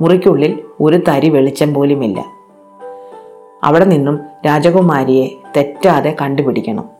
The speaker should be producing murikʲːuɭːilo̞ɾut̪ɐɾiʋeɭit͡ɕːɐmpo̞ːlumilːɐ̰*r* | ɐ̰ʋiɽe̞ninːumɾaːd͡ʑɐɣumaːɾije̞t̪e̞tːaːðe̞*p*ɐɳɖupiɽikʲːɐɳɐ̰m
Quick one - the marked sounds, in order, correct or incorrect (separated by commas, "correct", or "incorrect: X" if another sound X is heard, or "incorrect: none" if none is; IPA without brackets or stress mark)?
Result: incorrect: none, incorrect: k